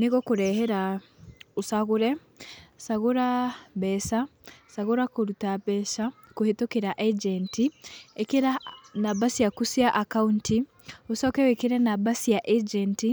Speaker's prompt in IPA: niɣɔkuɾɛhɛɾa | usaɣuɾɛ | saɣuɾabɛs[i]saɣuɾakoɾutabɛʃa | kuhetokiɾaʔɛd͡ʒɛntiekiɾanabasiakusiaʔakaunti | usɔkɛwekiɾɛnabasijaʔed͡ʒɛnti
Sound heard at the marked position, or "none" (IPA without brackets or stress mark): a